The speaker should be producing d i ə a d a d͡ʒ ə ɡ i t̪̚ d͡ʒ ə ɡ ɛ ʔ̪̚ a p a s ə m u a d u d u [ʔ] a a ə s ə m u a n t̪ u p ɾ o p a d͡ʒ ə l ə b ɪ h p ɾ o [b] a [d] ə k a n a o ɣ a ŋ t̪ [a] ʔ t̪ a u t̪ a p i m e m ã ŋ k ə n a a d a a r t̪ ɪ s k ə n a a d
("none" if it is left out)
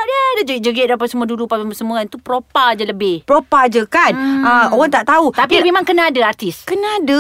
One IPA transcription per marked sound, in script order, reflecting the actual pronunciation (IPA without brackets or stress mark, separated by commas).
p, p, d͡ʒ, a